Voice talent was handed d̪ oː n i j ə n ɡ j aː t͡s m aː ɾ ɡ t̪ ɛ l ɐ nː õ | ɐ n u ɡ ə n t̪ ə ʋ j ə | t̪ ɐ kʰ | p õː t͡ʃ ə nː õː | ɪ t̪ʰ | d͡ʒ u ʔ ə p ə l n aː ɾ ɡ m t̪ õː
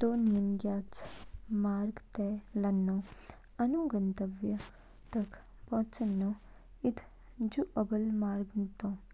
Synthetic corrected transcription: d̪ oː n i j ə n ɡ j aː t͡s m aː ɾ ɡ t̪ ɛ l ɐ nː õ | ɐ n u ɡ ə n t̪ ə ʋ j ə | t̪ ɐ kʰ | p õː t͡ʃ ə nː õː | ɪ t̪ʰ | d͡ʒ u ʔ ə b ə l m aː ɾ ɡ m t̪ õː

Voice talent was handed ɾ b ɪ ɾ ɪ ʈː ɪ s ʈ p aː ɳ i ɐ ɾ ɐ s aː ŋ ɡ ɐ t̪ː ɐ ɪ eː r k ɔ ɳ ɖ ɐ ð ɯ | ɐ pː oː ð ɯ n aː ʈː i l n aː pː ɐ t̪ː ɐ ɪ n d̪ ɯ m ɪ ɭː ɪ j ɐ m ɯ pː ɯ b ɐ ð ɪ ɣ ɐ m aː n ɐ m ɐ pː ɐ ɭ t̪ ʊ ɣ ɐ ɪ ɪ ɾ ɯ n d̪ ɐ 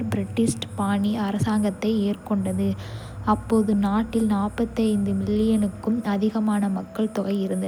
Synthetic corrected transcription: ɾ b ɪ ɾ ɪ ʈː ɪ s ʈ p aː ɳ i ɐ ɾ ɐ s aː ŋ ɡ ɐ t̪ː ɐ ɪ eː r k ɔ ɳ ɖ ɐ ð ɯ | ɐ pː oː ð ɯ n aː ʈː ɪ l n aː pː ɐ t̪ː ɐ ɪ n d̪ ɯ m ɪ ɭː ɪ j ɐ n ɯ kː ɯ m ɐ ð ɪ ɣ ɐ m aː n ɐ m ɐ kː ɐ ɭ t̪ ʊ ɣ ɐ ɪ ɪ ɾ ɯ n d̪ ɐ

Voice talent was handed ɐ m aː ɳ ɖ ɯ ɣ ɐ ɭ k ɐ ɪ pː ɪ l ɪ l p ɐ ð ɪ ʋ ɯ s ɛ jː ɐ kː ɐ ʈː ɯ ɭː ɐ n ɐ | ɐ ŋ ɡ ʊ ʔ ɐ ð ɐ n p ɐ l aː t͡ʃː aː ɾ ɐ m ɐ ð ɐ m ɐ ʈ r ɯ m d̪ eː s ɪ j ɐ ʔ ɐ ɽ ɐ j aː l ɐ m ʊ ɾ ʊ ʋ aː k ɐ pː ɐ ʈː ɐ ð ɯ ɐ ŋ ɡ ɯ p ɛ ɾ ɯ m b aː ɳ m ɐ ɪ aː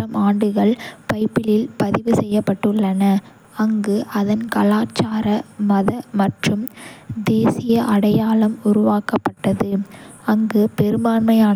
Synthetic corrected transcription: ɐ m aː ɳ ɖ ɯ ɣ ɐ ɭ p ɐ ɪ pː ɪ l ɪ l p ɐ ð ɪ ʋ ɯ s ɛ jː ɐ pː ɐ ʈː ɯ ɭː ɐ n ɐ | ɐ ŋ ɡ ɯ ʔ ɐ ð ɐ n k ɐ l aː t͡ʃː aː ɾ ɐ m ɐ ð ɐ m ɐ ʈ r ɯ m d̪ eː s ɪ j ɐ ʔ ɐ ɽ ɐ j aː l ɐ m ʊ ɾ ʊ ʋ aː k ɐ pː ɐ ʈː ɐ ð ɯ ɐ ŋ ɡ ɯ p ɛ ɾ ɯ m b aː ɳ m ɐ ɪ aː

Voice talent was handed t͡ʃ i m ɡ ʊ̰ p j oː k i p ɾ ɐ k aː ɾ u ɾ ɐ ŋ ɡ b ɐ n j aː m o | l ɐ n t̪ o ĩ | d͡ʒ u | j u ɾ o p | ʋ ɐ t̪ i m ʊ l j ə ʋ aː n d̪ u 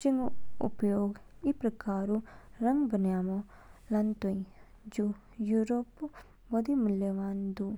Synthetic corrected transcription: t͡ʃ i ŋ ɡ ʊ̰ p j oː ɡ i p ɾ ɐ k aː ɾ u ɾ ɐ ŋ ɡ b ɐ n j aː m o | l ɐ n t̪ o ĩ | d͡ʒ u | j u ɾ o p | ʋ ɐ d̪ i m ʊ l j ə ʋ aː n d̪ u

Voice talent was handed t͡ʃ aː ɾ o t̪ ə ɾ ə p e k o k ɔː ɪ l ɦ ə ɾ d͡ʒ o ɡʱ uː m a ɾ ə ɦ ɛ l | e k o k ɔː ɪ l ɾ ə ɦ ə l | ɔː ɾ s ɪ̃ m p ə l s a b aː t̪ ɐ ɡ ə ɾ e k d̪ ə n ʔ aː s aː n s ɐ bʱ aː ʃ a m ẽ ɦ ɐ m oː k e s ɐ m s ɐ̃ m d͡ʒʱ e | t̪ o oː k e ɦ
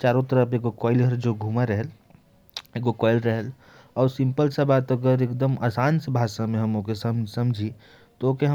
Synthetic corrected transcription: t͡ʃ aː ɾ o t̪ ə ɾ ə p e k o k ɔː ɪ l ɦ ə ɾ d͡ʒ o ɡʱ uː m a ɾ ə ɦ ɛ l | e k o k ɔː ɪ l ɾ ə ɦ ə l | ɔː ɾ s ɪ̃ m p ə l s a b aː t̪ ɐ ɡ ə ɾ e k d̪ ə m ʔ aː s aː n s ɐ bʱ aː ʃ a m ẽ ɦ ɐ m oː k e s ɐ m s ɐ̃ m d͡ʒʱ i | t̪ o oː k e ɦ

